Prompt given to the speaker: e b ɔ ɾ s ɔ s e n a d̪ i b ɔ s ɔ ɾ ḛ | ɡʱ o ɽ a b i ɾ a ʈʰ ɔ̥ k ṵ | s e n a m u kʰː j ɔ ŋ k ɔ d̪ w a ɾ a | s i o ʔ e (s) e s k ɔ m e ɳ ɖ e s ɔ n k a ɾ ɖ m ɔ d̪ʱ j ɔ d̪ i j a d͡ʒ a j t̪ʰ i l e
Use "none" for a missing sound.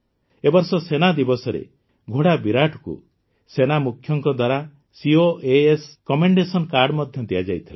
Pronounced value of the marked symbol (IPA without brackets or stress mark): none